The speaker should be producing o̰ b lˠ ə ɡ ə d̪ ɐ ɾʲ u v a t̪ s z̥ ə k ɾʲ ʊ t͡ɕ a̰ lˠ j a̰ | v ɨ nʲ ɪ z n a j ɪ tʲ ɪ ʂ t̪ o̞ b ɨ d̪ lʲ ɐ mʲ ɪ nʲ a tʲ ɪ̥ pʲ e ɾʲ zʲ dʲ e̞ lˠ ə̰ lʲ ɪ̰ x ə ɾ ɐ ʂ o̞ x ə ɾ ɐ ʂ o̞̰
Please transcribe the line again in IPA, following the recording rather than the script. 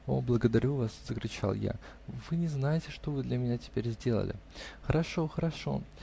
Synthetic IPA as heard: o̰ b lˠ ə ɡ ə d̪ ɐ ɾʲ u v a s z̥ ə k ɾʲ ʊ t͡ɕ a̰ lˠ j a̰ | v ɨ nʲ ɪ z n a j ɪ tʲ ɪ ʂ t̪ o̞ v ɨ d̪ lʲ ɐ mʲ ɪ nʲ a tʲ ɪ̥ pʲ e ɾʲ zʲ dʲ e̞ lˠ ə̰ lʲ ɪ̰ x ə ɾ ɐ ʂ o̞ x ə ɾ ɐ ʂ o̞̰